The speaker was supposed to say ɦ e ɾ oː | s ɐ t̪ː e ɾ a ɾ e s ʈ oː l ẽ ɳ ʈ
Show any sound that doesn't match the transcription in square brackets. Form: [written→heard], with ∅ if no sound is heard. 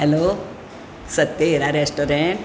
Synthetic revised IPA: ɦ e [ɾ→l] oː | s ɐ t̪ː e ɾ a ɾ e s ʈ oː [l→ɾ] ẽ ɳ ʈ